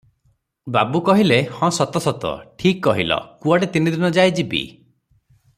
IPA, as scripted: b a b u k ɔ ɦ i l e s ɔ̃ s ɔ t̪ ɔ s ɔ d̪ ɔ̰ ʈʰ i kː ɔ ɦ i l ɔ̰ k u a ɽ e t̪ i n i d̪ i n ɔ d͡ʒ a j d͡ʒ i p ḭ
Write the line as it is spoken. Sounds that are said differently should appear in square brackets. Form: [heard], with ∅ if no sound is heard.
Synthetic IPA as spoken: b a b u k ɔ ɦ i l e [h] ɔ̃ s ɔ t̪ ɔ s ɔ [t̪] ɔ̰ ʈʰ i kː ɔ ɦ i l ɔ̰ k u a ɽ e t̪ i n i d̪ i n ɔ d͡ʒ a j d͡ʒ i [b] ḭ